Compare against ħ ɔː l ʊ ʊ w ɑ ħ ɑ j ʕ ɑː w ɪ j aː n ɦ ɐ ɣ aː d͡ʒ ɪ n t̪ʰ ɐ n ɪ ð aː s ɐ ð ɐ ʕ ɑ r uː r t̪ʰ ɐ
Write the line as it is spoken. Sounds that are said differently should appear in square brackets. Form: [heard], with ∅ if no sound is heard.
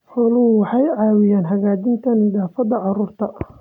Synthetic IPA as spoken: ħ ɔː l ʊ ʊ w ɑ ħ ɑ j ʕ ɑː w ɪ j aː n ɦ ɐ ɣ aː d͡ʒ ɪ n t̪ʰ ɐ n ɪ ð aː [f] ɐ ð ɐ ʕ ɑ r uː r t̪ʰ ɐ